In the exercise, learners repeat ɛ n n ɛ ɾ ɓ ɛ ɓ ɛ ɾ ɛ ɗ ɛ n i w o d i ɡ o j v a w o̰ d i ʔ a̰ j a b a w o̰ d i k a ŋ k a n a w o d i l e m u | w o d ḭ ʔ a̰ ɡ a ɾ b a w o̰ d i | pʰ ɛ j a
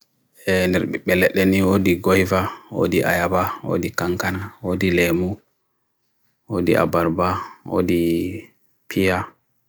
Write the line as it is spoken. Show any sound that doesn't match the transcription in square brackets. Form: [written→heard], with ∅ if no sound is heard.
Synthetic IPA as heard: ɛ n [n→d] ɛ ɾ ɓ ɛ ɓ ɛ [ɾ→l] ɛ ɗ ɛ n i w o d i ɡ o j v a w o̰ d i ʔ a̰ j a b a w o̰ d i k a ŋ k a n a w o d i l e m u | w o d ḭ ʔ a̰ [ɡ→b] a ɾ b a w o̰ d i | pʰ [ɛ→i] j a